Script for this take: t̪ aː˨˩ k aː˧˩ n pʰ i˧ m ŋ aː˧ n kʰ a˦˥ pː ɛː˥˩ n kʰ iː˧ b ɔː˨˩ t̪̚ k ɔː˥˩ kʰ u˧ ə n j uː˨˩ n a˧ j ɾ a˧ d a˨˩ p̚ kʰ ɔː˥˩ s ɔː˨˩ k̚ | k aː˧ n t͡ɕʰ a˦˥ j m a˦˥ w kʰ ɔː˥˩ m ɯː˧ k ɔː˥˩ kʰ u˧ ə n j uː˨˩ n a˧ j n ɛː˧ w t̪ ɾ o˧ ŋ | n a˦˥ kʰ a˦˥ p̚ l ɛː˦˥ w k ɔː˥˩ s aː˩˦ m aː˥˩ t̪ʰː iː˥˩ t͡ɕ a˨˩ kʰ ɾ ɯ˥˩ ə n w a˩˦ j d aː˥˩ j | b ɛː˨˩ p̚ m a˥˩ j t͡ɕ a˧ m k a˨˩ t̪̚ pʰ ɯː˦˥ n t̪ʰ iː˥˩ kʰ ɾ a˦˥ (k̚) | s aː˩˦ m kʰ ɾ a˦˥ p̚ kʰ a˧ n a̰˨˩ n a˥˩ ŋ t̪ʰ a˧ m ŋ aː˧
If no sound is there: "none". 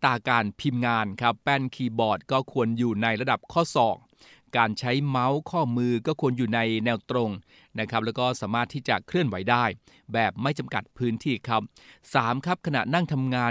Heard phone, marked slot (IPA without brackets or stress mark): p̚